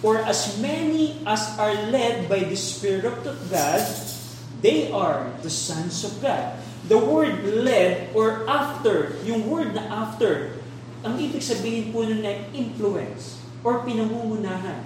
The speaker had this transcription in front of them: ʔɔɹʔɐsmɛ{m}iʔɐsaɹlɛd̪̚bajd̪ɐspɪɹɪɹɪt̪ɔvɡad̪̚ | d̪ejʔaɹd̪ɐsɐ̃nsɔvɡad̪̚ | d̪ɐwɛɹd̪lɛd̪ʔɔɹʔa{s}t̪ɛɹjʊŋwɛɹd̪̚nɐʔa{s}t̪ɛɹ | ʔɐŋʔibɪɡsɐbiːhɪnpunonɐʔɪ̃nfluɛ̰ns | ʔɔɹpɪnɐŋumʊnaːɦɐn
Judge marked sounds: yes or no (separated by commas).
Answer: no, no, no